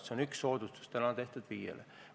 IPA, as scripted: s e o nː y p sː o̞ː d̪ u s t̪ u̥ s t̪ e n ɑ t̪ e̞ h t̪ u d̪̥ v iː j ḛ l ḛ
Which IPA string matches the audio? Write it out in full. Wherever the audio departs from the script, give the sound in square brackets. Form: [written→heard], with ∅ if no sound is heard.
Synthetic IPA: s e o [nː→n] y [p→k] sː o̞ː d̪ u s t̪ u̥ s t̪ [e→æ] n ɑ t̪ e̞ h t̪ u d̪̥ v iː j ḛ l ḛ